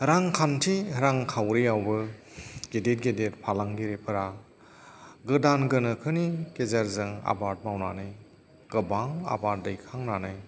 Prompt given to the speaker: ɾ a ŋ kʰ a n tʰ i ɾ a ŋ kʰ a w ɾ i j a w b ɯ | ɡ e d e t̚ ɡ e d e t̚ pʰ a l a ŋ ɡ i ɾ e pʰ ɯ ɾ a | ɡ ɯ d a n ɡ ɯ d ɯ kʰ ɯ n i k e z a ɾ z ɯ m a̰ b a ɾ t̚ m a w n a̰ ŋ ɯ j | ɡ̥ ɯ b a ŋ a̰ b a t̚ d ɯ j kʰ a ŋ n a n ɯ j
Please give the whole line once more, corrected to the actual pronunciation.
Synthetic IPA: ɾ a ŋ kʰ a n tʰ i ɾ a ŋ kʰ a w ɾ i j a w b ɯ | ɡ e d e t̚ ɡ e d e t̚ pʰ a l a ŋ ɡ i ɾ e pʰ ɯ ɾ a | ɡ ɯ d a n ɡ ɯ n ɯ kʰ ɯ n i k e z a ɾ z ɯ ŋ a̰ b a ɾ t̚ m a w n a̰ n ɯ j | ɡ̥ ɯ b a ŋ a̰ b a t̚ d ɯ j kʰ a ŋ n a n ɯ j